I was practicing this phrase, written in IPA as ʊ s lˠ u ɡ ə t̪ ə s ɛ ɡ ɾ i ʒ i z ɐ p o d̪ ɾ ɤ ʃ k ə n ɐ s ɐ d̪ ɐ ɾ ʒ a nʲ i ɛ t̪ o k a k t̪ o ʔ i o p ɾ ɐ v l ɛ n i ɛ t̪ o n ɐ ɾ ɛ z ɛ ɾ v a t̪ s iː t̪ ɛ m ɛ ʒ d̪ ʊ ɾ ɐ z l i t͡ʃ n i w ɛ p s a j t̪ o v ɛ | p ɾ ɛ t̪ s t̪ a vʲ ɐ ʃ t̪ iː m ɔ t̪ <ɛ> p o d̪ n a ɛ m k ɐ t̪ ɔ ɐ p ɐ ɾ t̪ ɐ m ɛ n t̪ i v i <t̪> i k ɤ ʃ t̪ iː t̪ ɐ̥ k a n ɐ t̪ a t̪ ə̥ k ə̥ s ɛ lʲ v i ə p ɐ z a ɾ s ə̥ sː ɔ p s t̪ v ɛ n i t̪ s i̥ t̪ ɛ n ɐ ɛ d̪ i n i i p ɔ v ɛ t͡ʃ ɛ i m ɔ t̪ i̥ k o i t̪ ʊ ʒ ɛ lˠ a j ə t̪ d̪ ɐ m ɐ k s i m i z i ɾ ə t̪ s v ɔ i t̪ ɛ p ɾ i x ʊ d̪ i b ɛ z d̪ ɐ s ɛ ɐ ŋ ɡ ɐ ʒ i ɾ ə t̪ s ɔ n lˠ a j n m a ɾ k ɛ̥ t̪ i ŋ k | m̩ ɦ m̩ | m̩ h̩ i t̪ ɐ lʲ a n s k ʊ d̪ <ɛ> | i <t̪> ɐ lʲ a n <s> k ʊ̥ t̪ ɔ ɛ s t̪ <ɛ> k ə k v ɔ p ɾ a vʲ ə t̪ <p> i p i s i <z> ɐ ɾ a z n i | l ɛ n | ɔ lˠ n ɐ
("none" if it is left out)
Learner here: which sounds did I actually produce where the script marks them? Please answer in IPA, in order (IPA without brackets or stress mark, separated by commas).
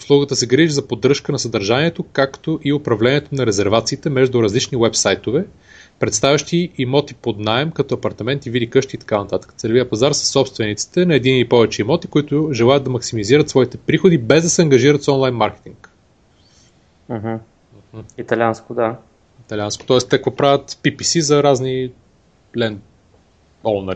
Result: i, d̪, a, t̪, s, ɛ, p, z